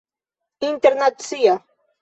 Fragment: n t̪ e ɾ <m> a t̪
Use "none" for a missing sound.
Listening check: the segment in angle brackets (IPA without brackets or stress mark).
n